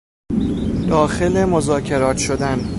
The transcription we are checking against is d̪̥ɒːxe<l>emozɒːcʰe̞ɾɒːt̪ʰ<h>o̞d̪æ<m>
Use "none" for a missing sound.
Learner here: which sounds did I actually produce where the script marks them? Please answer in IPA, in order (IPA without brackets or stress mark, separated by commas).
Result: l, ʃ, n